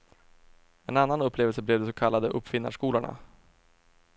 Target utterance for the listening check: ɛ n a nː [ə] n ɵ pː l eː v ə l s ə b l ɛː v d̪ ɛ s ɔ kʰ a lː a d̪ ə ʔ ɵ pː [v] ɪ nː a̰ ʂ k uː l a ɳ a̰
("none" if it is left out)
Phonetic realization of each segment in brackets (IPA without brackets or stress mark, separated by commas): a, f